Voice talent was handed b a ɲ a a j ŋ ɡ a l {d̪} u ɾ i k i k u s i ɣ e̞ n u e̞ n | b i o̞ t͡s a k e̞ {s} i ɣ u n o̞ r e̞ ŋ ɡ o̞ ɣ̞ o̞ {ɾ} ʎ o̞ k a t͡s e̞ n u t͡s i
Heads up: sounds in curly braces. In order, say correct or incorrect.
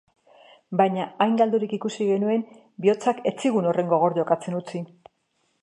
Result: correct, incorrect: t͡s, correct

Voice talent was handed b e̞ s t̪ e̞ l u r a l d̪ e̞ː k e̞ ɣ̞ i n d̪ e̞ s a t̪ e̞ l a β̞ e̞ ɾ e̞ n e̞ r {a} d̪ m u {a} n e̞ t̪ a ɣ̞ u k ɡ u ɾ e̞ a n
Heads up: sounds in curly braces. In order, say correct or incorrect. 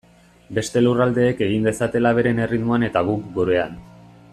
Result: incorrect: i, correct

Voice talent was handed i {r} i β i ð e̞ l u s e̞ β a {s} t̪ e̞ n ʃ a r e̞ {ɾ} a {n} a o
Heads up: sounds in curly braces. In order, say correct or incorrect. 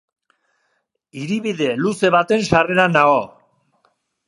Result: incorrect: ɾ, incorrect: none, correct, correct

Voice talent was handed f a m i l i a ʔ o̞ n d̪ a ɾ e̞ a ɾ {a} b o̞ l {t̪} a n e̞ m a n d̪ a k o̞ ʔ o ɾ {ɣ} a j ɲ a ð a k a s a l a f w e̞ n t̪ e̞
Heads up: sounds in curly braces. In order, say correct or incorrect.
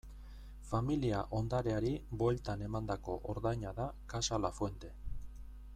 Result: incorrect: i, correct, incorrect: ð

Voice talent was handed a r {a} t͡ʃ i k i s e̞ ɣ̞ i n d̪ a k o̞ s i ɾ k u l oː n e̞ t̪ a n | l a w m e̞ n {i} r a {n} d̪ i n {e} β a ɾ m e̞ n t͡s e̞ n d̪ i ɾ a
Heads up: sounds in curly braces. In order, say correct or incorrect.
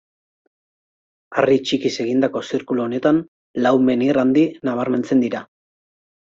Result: incorrect: i, correct, correct, incorrect: a

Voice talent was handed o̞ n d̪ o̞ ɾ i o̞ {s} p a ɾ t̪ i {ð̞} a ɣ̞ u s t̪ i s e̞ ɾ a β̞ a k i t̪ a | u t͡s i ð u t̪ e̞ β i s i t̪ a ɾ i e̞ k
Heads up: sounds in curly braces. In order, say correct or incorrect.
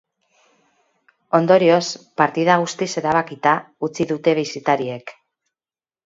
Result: correct, correct

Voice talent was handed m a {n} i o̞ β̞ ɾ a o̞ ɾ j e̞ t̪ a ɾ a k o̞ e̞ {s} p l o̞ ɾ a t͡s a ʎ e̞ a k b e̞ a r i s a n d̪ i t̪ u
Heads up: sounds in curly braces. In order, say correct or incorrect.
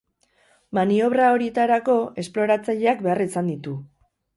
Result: correct, correct

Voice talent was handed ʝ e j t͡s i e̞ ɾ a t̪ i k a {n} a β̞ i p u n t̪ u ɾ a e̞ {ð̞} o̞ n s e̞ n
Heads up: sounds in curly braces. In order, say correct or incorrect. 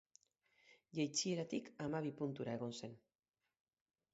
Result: incorrect: m, incorrect: ɣ̞

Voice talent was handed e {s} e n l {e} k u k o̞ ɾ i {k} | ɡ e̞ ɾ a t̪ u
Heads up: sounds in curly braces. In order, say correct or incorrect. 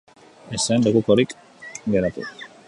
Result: correct, correct, correct

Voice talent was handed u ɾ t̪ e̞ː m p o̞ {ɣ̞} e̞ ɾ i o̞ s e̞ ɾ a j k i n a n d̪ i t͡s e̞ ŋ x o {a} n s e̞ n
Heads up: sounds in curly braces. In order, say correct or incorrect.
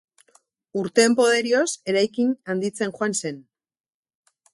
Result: incorrect: ð̞, correct

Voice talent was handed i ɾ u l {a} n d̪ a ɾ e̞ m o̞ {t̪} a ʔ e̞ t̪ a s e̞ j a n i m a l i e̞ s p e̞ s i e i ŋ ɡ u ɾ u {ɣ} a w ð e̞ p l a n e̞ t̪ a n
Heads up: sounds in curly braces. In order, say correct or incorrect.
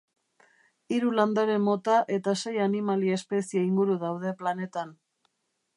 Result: correct, correct, incorrect: ð

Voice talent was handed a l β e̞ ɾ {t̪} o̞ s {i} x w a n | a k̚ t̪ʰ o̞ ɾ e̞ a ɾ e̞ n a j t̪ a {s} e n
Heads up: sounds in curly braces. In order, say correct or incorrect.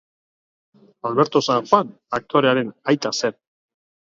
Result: correct, incorrect: a, correct

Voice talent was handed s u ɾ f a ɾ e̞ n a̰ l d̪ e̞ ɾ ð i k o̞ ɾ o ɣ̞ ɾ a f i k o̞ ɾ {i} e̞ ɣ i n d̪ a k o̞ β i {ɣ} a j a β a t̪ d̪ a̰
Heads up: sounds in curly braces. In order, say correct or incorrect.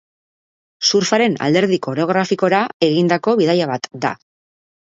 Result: incorrect: a, incorrect: ð

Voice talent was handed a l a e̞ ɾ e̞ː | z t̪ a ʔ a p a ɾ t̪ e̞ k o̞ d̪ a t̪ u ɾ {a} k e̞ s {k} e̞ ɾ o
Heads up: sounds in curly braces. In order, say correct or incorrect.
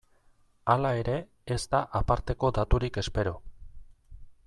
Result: incorrect: i, incorrect: p

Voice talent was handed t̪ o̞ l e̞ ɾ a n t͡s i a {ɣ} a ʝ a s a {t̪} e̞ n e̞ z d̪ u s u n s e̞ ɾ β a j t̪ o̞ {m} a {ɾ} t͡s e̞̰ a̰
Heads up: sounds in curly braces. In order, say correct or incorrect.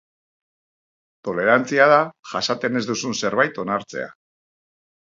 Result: incorrect: ð, correct, incorrect: n, correct

